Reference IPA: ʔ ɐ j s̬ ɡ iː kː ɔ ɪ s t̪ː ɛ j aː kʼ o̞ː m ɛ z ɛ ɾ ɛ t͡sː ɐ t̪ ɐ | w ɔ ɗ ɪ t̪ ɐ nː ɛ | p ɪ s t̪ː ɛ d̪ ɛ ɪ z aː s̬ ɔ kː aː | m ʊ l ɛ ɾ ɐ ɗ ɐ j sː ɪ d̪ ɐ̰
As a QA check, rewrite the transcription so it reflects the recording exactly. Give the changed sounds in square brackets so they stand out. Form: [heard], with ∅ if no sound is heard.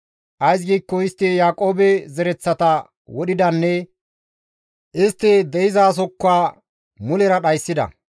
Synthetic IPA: ʔ ɐ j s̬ ɡ iː kː ɔ ɪ s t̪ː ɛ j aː kʼ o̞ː [b] ɛ z ɛ ɾ ɛ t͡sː ɐ t̪ ɐ | w ɔ ɗ ɪ [d̪] ɐ nː ɛ | [ʔ] ɪ s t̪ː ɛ d̪ ɛ ɪ z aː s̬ ɔ kː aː | m ʊ l ɛ ɾ ɐ ɗ ɐ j sː ɪ d̪ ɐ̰